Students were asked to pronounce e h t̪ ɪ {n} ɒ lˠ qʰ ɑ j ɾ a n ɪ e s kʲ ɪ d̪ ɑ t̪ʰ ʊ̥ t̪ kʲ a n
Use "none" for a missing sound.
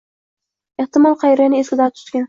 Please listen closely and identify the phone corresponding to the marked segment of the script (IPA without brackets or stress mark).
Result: m